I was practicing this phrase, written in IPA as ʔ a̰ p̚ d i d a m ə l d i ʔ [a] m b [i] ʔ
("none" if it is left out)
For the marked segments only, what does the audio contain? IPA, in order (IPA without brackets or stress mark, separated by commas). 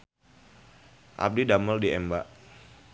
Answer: ɛ, a